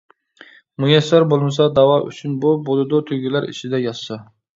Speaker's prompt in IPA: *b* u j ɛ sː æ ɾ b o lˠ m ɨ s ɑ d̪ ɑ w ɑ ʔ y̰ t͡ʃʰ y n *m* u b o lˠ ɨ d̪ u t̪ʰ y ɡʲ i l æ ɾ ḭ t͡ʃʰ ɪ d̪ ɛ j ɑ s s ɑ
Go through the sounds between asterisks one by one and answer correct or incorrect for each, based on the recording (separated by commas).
incorrect, incorrect